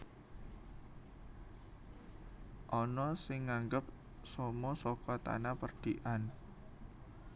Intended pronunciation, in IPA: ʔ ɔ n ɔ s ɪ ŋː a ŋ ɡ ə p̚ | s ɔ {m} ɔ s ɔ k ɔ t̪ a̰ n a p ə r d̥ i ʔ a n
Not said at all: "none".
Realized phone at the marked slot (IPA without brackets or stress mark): m